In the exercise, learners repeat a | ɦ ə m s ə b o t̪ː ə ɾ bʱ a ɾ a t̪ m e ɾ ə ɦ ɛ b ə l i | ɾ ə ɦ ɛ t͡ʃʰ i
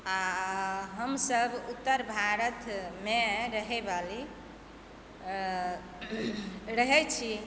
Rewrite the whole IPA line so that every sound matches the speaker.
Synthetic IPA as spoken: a | ɦ ə m s ə b u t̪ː ə ɾ bʱ a ɾ ə t̪ m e ɾ ə ɦ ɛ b a l i | ɾ ə ɦ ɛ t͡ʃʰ i